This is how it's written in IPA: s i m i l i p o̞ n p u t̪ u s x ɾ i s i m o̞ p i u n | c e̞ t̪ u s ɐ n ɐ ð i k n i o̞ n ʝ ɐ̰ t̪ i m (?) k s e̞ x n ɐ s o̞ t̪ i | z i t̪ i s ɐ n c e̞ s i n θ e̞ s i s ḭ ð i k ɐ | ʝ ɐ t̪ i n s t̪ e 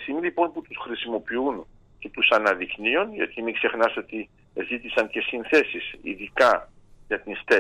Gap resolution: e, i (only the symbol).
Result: i